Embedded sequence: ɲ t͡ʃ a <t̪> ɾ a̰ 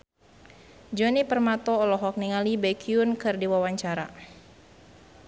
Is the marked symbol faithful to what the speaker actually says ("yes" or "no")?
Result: no